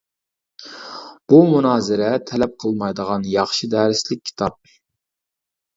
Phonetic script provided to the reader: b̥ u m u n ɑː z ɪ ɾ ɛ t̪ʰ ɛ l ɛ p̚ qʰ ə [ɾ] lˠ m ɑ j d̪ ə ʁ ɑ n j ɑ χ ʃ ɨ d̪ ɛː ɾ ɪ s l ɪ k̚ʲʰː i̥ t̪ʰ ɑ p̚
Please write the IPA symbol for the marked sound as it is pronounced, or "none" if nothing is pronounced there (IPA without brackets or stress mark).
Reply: none